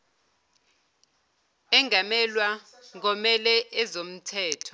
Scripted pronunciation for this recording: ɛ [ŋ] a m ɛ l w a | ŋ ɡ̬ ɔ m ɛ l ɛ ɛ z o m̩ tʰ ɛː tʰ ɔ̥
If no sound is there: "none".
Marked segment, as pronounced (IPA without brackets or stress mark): ŋ